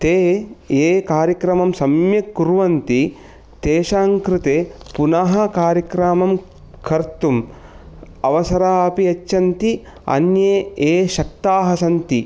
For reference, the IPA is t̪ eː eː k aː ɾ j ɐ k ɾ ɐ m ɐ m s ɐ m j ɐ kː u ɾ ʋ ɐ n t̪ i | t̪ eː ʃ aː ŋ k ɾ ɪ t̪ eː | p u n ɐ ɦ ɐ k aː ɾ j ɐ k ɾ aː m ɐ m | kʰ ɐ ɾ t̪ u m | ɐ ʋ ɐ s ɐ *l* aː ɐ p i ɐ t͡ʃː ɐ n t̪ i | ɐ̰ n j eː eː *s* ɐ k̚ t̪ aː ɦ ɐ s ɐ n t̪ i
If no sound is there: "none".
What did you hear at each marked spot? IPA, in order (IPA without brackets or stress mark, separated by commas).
ɾ, ʃ